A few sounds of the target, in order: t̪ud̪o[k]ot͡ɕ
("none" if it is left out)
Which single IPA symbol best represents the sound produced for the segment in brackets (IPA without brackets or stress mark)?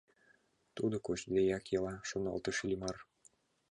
k